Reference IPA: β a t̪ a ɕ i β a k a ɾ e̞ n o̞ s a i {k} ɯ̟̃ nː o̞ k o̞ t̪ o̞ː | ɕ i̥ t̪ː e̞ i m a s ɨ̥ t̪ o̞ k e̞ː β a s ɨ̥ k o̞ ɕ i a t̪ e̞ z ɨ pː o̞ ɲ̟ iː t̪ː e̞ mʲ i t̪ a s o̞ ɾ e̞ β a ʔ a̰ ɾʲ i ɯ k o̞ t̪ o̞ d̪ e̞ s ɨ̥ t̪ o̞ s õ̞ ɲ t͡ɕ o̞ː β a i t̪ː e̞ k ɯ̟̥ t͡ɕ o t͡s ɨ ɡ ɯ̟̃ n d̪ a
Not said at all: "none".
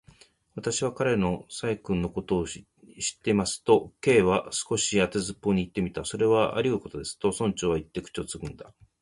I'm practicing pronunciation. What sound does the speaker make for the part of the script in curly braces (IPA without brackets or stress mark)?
k